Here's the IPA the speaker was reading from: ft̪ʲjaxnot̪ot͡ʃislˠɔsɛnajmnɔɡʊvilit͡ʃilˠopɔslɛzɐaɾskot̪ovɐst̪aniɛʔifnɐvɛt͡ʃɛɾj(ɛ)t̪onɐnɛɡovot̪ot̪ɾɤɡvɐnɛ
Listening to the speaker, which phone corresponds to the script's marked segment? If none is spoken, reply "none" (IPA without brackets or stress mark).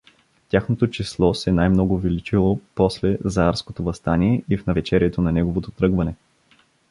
ɛ